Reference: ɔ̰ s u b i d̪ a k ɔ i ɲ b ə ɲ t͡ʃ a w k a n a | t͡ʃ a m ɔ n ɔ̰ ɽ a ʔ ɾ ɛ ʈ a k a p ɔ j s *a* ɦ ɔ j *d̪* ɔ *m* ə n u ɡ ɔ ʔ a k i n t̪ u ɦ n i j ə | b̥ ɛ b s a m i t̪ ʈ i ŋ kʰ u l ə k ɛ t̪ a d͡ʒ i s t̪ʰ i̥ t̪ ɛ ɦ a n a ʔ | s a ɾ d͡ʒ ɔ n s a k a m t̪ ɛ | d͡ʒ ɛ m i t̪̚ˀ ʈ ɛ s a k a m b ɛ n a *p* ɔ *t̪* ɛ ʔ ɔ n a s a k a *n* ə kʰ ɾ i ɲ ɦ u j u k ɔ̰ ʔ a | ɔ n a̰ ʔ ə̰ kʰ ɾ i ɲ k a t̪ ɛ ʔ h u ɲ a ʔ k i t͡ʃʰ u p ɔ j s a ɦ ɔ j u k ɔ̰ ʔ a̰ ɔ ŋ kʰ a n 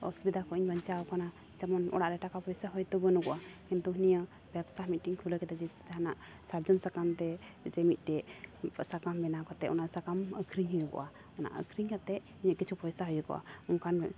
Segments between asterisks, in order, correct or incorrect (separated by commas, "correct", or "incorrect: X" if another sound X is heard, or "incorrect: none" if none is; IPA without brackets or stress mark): correct, incorrect: t̪, incorrect: b, incorrect: k, correct, incorrect: m